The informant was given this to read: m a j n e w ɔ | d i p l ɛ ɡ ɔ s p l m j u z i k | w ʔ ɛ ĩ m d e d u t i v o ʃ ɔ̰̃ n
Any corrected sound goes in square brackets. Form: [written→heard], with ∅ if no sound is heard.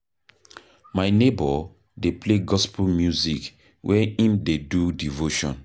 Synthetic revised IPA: m a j n e [w→b] ɔ | d [i→e] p l [ɛ→e] ɡ ɔ s p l m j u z i k | w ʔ ɛ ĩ m d e d u [t→d] i v o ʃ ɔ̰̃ n